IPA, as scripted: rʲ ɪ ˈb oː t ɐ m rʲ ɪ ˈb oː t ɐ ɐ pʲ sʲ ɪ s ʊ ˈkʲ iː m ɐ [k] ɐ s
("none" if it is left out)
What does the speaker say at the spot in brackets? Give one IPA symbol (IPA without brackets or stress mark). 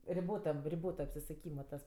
t